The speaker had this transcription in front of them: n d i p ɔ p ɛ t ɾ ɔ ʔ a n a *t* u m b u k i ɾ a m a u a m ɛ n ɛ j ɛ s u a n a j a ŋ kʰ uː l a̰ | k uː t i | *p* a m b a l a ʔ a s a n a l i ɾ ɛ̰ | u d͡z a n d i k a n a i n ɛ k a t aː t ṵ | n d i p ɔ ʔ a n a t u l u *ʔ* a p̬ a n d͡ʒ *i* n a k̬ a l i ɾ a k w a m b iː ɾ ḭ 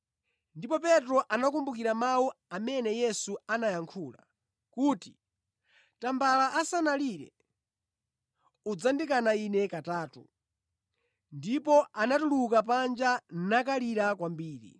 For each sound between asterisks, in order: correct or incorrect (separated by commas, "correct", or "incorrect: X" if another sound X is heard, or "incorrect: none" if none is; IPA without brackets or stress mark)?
incorrect: k, incorrect: t, incorrect: k, incorrect: a